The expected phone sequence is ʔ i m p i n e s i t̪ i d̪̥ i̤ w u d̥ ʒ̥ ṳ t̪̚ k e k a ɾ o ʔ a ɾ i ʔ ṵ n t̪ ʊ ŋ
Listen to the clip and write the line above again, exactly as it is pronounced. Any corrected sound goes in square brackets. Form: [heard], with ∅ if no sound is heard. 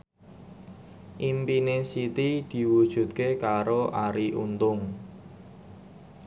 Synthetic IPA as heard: ʔ i m p i n e s i t̪ i d̪̥ i̤ w u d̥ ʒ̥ ṳ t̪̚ k e k a ɾ o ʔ a ɾ i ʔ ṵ n t̪ ʊ ŋ

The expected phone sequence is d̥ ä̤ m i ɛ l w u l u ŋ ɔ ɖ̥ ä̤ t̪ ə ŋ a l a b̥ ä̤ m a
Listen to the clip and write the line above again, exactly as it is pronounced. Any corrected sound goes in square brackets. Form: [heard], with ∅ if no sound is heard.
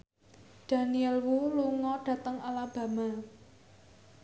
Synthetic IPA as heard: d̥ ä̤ [n] i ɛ l w u l u ŋ ɔ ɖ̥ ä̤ t̪ ə ŋ a l a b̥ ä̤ m a

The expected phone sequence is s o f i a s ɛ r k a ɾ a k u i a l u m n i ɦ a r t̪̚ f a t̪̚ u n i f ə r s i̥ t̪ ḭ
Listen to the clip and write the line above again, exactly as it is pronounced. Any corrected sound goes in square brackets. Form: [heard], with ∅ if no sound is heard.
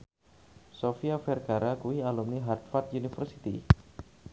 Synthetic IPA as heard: s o f i a [f] ɛ r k a ɾ a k u i a l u m n i ɦ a r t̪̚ f a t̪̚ u n i f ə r s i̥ t̪ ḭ

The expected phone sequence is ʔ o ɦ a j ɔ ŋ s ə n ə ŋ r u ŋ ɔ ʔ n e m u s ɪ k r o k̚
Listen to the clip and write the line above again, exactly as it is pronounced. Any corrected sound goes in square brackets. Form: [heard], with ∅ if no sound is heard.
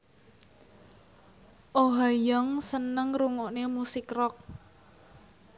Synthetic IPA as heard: ʔ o ɦ a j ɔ ŋ s ə n ə ŋ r u ŋ ɔ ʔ n e m u s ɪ k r [ɔ] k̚

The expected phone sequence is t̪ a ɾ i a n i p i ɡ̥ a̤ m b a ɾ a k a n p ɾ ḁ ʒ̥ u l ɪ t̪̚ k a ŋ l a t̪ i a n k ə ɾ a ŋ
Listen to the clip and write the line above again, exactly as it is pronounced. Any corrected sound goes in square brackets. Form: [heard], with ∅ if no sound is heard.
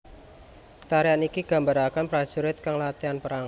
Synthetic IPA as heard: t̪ a ɾ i a n i [k] i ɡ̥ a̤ m b a ɾ a k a n p ɾ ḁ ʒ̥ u [ɾ] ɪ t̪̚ k a ŋ l a t̪ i a n [p] ə ɾ a ŋ

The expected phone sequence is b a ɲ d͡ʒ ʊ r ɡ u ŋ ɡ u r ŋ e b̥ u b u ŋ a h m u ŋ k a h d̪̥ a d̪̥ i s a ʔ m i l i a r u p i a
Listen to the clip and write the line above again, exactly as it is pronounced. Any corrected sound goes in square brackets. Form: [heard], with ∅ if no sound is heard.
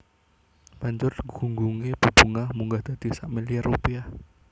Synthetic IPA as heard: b a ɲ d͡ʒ ʊ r ɡ u ŋ ɡ u [∅] ŋ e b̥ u b u ŋ a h m u ŋ [ɡ] a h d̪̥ a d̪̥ i s a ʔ m i l i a r u p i a

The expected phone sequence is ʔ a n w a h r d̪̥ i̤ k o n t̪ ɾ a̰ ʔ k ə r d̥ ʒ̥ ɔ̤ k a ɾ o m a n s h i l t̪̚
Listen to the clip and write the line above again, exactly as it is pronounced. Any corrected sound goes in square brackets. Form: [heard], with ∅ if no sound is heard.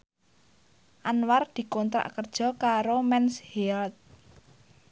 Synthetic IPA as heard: ʔ a n w a [∅] r d̪̥ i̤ k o n t̪ ɾ a̰ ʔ k ə r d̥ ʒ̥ ɔ̤ k a ɾ o m [ɛ] n s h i l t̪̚

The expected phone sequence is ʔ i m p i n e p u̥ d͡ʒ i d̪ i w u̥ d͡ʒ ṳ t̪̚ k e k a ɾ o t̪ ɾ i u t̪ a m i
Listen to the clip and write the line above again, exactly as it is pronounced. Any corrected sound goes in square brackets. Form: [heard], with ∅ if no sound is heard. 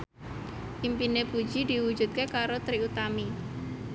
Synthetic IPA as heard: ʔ i m p i n e p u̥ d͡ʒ i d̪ i w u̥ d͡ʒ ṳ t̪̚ k e k a ɾ o t̪ ɾ i u t̪ a m i

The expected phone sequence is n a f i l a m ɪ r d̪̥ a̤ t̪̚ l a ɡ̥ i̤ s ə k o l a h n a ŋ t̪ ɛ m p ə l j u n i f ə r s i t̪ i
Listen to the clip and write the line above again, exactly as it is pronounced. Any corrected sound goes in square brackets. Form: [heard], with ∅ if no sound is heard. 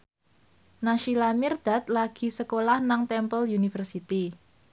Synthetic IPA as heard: n a [ʃ] i l a m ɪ r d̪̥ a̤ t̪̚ l a ɡ̥ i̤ s ə k o l a h n a ŋ t̪ ɛ m p ə l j u n i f ə r s i t̪ i

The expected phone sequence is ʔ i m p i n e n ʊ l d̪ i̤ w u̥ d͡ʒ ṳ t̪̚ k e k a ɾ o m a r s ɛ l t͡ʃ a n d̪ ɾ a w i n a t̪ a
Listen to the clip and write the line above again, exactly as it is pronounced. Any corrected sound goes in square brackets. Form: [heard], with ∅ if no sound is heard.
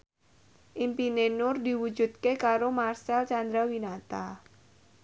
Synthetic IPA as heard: ʔ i m p i n e n ʊ [r] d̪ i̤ w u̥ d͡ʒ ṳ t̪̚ k e k a ɾ o m a r s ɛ l t͡ʃ a n d̪ ɾ a w i n a t̪ a

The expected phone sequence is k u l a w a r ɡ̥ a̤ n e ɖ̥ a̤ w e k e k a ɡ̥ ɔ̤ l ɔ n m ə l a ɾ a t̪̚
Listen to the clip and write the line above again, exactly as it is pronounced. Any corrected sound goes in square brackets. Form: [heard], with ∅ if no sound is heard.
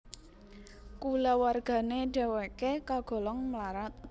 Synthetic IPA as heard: k u l a w a r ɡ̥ a̤ n e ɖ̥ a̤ w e k e k a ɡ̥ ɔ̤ l ɔ [ŋ] m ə l a ɾ a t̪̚

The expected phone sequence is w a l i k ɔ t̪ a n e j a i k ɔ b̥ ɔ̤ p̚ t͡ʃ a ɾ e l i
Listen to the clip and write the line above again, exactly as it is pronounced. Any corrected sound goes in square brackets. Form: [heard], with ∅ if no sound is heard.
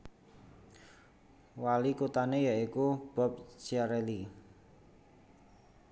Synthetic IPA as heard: w a l i k [u] t̪ a n e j a i k [u] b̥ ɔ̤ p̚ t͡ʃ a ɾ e l i

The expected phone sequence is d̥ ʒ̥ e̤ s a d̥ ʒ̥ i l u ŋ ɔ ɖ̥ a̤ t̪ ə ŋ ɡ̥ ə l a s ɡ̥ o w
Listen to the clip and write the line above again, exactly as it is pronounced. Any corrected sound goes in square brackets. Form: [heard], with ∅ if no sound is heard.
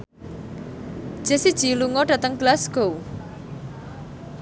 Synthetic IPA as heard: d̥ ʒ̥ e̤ s [i] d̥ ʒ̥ i l u ŋ ɔ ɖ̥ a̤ t̪ ə ŋ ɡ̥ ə l a s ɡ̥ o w

